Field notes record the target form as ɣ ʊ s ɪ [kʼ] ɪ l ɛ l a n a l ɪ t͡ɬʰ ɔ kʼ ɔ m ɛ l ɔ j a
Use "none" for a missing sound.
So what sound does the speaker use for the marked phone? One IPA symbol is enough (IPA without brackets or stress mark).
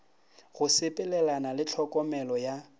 pʼ